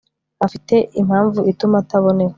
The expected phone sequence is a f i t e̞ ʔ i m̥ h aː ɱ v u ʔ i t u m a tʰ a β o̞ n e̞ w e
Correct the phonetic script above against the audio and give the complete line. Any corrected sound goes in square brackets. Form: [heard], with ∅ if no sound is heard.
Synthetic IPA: a f i t e̞ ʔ i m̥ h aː ɱ v u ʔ i t u m a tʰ a β o̞ n e̞ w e